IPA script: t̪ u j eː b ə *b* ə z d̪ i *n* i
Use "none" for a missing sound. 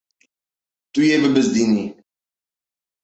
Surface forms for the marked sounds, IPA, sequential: b, n

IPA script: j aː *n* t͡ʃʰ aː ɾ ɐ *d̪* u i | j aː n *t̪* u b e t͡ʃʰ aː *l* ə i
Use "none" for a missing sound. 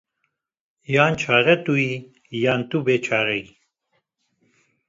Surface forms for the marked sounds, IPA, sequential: n, t̪, t̪, ɾ

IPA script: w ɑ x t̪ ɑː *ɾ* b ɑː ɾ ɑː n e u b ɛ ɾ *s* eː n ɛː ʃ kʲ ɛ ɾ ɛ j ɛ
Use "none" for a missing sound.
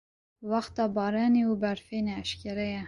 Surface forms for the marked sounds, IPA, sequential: none, f

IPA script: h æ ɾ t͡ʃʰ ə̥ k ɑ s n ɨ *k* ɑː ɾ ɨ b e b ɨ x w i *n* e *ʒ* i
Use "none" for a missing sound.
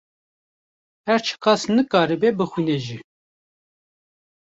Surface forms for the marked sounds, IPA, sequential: k, n, ʒ

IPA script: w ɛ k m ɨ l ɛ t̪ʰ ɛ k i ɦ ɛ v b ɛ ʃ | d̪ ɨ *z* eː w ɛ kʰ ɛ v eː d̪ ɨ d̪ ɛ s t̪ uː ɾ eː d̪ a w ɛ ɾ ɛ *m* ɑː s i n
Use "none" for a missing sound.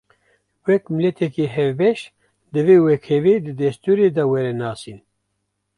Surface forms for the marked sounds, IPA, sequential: v, n

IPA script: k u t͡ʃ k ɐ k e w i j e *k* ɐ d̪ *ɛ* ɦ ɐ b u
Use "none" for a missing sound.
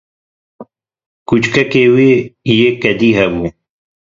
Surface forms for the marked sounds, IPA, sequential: k, i

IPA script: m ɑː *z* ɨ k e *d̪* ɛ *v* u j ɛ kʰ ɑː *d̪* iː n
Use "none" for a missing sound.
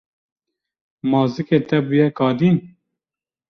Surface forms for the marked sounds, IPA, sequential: z, t̪, b, d̪

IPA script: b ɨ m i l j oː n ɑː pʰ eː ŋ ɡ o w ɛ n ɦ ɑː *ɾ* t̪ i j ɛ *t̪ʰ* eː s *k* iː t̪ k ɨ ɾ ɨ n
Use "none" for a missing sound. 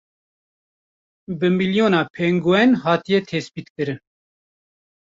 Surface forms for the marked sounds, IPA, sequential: none, t̪ʰ, p

